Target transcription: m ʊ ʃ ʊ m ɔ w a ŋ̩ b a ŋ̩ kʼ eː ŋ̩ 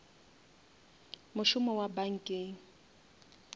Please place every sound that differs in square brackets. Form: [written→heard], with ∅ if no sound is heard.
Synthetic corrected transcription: m ʊ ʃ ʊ m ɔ w a [ŋ̩→∅] b a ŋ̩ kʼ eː ŋ̩

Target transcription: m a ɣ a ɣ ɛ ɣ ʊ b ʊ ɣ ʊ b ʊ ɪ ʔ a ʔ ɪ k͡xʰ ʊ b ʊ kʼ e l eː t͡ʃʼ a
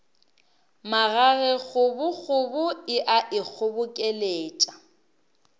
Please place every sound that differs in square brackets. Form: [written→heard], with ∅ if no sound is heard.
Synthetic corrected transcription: m a ɣ a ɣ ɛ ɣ ʊ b ʊ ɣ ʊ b ʊ ɪ ʔ a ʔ ɪ k͡xʰ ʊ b ʊ kʼ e l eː t͡ʃʼ a

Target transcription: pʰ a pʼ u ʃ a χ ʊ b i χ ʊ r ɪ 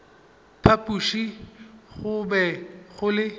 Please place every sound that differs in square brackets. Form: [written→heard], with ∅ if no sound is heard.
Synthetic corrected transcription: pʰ a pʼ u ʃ [a→i] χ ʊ b [i→ɛ] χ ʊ [r→l] ɪ

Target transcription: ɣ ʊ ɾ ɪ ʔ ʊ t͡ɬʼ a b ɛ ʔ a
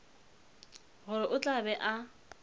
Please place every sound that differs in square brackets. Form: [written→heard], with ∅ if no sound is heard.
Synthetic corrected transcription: ɣ ʊ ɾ ɪ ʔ ʊ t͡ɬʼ a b ɛ ʔ a

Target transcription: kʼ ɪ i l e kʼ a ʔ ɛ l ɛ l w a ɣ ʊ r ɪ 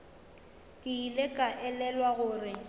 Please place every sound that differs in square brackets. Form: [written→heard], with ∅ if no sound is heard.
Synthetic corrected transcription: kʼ ɪ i l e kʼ a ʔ ɛ l ɛ l w a ɣ [ʊ→ʊː] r ɪ

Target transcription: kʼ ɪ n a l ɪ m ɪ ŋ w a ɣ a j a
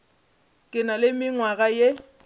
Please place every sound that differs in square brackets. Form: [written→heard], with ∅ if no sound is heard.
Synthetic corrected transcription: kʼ ɪ n a l ɪ m ɪ ŋ w a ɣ a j [a→e]

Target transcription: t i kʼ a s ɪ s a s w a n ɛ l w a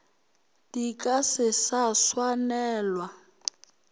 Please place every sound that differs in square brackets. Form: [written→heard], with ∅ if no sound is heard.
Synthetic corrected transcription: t i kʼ a s ɪ s a s w a n [ɛ→ɛː] l w a

